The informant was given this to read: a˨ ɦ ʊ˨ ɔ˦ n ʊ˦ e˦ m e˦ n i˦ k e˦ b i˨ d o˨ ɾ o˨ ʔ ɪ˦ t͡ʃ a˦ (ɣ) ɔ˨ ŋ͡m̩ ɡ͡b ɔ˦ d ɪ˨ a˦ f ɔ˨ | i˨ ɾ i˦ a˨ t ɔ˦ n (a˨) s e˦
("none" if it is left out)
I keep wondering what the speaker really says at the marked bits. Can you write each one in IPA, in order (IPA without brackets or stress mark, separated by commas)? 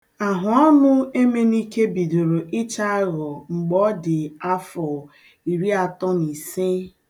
ɣ, i˨